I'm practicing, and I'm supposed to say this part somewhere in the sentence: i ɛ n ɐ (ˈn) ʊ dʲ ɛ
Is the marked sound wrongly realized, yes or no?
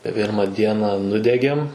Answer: no